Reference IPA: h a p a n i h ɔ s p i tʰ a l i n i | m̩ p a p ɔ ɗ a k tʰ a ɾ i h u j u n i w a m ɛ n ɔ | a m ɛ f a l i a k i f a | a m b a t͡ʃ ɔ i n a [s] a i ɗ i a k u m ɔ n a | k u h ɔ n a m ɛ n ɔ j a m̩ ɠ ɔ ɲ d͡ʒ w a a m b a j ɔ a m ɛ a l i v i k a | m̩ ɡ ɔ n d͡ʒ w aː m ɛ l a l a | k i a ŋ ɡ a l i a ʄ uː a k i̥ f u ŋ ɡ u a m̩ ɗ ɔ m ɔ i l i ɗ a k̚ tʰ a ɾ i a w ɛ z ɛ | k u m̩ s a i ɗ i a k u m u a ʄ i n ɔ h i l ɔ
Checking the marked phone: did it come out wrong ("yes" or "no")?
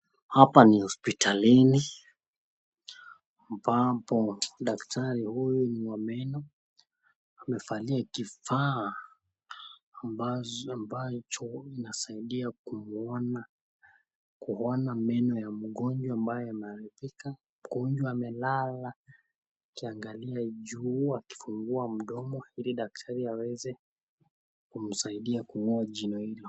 no